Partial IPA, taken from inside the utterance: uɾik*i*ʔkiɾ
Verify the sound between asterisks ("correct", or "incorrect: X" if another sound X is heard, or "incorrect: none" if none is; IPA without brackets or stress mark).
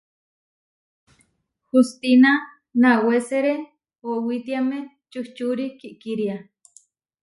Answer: correct